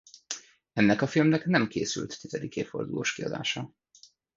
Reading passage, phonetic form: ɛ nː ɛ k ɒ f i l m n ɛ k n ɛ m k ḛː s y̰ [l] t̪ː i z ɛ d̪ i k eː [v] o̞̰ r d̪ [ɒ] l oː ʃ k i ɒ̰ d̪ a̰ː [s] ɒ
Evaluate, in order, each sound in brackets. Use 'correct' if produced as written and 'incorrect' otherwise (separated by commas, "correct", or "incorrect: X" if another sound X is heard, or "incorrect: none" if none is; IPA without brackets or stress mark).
correct, incorrect: f, incorrect: u, incorrect: ʃ